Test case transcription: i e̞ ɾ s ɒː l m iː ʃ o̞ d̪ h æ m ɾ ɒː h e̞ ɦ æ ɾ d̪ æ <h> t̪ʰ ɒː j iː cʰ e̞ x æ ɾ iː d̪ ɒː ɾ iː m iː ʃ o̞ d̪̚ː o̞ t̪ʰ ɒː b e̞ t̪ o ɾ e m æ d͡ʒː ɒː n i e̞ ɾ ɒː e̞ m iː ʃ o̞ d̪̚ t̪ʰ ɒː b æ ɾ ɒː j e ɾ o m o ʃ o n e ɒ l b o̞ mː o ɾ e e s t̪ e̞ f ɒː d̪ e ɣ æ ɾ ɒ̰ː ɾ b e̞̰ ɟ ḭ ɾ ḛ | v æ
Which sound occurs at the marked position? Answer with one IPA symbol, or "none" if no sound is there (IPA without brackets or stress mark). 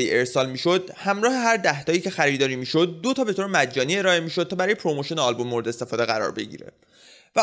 h